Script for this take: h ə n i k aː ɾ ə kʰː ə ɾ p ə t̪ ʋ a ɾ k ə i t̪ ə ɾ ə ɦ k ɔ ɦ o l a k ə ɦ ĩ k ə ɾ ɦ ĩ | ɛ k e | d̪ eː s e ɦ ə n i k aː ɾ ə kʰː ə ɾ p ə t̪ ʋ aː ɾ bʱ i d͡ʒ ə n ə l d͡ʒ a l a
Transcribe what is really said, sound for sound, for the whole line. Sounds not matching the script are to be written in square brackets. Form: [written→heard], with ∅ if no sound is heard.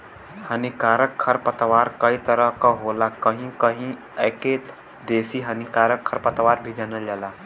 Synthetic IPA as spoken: h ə n i k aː ɾ ə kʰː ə ɾ p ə t̪ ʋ a ɾ k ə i t̪ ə ɾ ə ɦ k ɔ ɦ o l a k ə ɦ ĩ k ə [ɾ→∅] ɦ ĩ | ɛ k e | d̪ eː s [e→i] ɦ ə n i k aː ɾ ə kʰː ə ɾ p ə t̪ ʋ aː ɾ bʱ i d͡ʒ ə n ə l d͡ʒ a l a